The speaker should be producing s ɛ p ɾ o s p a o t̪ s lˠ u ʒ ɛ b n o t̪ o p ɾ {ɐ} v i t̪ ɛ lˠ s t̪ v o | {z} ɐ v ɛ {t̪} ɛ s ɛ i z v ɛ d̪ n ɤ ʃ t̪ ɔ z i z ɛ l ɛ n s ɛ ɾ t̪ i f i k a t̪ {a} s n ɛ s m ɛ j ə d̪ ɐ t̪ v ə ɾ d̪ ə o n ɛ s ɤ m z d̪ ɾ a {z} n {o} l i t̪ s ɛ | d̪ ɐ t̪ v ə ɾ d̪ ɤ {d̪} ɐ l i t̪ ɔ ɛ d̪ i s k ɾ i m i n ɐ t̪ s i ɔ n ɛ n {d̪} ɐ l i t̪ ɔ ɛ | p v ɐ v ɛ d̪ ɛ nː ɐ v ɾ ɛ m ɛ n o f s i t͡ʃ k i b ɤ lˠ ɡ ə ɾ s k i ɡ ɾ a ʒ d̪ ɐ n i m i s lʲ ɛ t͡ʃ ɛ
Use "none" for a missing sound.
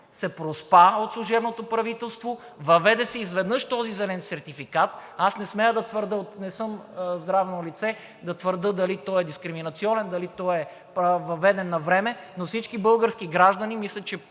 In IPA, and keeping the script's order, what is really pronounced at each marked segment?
ɐ, v, d̪, a, v, o, d̪, d̪

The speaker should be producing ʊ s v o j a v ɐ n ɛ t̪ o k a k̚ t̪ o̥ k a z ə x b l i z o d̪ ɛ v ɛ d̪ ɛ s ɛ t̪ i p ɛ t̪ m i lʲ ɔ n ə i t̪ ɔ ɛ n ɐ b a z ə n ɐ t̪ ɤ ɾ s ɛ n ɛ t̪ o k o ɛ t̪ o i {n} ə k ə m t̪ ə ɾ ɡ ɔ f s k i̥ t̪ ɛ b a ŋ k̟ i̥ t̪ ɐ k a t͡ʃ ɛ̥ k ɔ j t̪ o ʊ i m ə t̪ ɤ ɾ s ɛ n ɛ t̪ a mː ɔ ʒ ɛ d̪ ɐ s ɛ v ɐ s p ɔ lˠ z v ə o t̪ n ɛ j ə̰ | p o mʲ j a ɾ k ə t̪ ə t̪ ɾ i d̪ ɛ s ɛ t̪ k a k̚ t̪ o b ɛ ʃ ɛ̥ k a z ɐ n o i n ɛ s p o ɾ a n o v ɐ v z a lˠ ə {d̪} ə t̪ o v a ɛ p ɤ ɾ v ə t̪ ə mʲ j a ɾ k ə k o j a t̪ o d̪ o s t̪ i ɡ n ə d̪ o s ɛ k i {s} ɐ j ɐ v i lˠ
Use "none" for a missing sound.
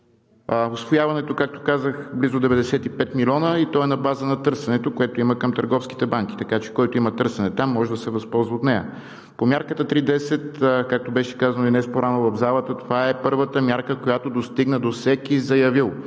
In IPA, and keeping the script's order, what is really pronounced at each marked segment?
m, t̪, z

